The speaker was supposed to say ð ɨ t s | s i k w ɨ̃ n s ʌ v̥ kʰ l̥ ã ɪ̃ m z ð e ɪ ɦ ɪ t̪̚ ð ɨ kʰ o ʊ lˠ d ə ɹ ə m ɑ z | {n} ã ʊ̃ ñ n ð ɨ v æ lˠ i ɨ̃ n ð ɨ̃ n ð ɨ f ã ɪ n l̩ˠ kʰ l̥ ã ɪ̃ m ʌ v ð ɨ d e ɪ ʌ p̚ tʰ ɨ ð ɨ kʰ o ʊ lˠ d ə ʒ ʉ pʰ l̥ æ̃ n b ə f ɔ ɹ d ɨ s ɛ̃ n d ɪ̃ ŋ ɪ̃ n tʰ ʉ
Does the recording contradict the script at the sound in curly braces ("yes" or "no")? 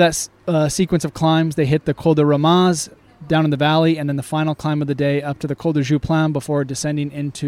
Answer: yes